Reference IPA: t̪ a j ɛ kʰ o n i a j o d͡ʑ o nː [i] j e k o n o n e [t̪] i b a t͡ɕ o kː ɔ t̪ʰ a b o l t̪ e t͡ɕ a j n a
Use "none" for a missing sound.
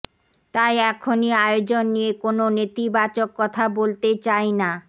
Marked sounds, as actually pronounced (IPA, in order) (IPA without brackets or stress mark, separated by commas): i, t̪